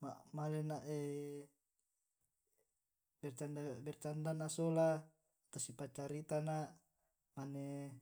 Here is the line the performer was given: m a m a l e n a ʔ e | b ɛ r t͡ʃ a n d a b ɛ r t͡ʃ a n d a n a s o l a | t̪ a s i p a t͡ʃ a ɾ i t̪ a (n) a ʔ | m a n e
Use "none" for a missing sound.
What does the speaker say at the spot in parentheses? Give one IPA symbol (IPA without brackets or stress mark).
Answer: n